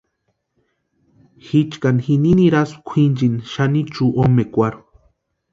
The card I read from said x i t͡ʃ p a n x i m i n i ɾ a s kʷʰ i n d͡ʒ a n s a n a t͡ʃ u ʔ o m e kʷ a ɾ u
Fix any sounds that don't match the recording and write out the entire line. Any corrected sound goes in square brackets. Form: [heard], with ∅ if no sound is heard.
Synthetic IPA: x i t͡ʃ [k] a n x i [n] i n i ɾ a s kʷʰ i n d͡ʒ [i] n [ʃ] a n [i] t͡ʃ u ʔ o m e kʷ a ɾ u